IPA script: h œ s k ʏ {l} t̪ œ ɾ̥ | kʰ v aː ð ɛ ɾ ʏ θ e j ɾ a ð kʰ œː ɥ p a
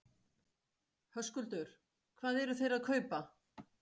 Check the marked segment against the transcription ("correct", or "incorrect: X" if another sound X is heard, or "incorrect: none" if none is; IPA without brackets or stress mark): correct